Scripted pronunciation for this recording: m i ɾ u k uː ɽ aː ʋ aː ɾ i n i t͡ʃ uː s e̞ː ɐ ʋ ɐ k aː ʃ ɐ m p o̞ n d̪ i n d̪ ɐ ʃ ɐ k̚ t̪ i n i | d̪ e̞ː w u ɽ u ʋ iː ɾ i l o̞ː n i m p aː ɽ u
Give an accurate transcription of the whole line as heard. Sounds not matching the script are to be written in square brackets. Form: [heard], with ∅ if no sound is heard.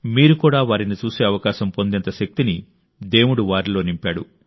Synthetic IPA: m [iː] ɾ u k uː ɽ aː ʋ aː ɾ i n i t͡ʃ uː s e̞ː ɐ ʋ ɐ k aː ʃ ɐ m p o̞ n d̪ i n [t̪] ɐ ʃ ɐ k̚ t̪ i n i | d̪ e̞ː w u ɽ u ʋ [aː] ɾ i l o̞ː n i m p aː ɽ u